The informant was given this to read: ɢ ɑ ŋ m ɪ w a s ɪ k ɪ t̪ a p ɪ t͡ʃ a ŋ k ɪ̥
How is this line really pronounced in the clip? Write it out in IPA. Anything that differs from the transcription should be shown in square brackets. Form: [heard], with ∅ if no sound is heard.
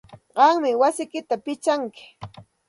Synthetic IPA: ɢ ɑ ŋ m ɪ w a s ɪ k ɪ t̪ a p ɪ t͡ʃ a ŋ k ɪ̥